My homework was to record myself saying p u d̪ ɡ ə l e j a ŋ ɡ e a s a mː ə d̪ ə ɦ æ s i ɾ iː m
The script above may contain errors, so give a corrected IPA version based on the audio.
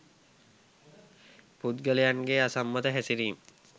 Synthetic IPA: p u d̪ ɡ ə l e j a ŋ ɡ e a s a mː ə t̪ ə ɦ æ s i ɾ iː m